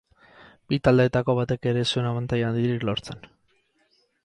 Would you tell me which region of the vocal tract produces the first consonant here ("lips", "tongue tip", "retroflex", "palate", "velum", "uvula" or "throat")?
lips